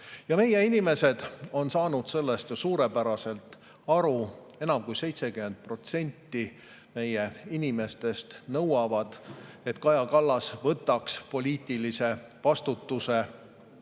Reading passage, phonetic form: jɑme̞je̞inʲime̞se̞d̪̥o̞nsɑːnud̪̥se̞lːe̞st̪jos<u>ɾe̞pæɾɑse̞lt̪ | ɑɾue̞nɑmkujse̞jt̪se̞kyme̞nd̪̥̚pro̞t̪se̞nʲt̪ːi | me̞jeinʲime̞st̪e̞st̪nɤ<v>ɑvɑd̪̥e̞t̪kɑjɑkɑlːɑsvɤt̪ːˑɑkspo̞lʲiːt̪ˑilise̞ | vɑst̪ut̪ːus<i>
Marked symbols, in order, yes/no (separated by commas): no, no, no